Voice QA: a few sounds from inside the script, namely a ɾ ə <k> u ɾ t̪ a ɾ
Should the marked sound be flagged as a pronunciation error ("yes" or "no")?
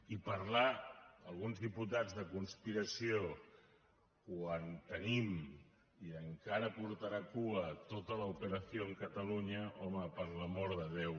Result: yes